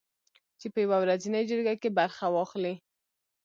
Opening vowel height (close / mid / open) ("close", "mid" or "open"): mid